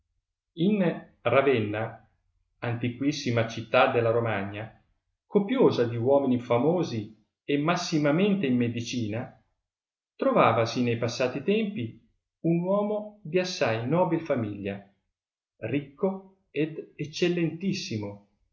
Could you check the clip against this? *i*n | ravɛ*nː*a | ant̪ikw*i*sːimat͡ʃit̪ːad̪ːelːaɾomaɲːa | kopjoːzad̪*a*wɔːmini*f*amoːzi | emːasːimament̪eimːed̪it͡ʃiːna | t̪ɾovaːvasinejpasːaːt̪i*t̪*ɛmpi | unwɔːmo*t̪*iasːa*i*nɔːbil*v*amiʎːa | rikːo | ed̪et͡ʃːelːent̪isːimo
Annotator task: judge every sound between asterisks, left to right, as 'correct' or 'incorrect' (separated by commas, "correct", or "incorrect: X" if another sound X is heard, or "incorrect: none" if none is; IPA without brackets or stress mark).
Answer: correct, correct, correct, incorrect: i, correct, correct, incorrect: d̪, incorrect: j, incorrect: f